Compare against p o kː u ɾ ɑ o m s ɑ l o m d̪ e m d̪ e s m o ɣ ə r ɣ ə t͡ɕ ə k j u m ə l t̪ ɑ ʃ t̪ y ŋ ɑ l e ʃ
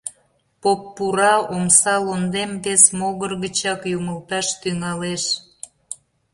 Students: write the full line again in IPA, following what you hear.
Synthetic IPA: p o pː u ɾ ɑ o m s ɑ l o n d̪ e m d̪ e s m o ɣ ə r ɣ ə t͡ɕ ɑ k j u m ə l t̪ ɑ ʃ t̪ y ŋ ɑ l e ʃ